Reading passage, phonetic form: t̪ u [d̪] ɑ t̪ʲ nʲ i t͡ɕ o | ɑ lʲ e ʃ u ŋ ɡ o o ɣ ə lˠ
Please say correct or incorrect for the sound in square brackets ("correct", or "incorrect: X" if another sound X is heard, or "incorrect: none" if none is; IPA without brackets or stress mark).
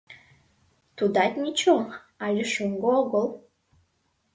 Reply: correct